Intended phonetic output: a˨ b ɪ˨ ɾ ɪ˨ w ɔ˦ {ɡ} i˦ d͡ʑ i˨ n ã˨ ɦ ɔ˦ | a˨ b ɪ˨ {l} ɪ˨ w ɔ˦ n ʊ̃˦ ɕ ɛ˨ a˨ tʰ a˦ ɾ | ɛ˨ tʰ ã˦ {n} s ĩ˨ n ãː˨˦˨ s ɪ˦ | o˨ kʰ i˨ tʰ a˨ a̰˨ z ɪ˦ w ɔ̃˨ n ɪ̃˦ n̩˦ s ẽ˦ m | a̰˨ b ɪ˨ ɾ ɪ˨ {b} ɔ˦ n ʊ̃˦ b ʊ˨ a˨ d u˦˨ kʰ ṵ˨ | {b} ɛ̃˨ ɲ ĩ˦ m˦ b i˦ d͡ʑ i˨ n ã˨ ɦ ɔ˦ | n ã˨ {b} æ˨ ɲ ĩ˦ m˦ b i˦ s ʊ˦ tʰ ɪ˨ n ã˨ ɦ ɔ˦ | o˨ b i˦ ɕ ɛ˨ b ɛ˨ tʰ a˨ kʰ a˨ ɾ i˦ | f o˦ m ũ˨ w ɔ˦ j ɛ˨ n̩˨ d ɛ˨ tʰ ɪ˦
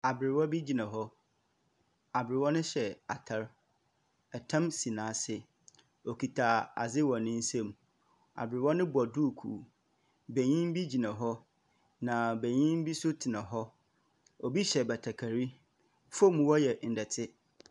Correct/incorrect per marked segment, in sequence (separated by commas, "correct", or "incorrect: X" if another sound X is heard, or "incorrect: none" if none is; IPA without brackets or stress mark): incorrect: b, incorrect: ɾ, incorrect: m, incorrect: w, correct, correct